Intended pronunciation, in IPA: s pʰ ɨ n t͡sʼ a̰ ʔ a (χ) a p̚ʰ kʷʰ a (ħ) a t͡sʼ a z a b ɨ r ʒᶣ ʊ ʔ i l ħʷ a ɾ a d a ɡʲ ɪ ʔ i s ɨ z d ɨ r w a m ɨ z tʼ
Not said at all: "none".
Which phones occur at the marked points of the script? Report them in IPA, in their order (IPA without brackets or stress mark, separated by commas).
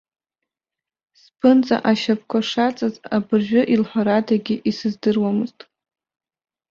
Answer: ʃ, ʂ